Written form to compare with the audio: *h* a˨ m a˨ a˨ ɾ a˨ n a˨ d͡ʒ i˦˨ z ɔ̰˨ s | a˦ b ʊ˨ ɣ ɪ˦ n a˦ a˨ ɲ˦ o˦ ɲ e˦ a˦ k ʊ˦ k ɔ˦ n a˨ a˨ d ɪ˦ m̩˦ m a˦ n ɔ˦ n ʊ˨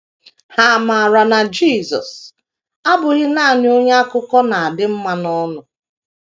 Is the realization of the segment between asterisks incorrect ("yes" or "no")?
no